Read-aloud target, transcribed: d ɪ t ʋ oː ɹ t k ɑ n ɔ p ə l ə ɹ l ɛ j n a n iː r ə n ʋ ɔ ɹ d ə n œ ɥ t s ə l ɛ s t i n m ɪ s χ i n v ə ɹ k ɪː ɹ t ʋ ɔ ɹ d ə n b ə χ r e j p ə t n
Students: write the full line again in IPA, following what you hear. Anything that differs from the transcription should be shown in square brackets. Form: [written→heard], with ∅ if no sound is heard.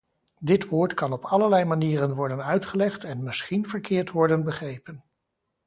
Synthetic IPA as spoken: d ɪ t ʋ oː ɹ t k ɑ n ɔ p [ə→ɑ] l ə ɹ l ɛ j [n→m] a n iː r ə n ʋ ɔ ɹ d ə n œ ɥ t [s→χ] ə l ɛ [s→χ] t [i→ɛ] n m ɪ s χ i n v ə ɹ k ɪː ɹ t ʋ ɔ ɹ d ə n b ə χ r e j p ə [t→∅] n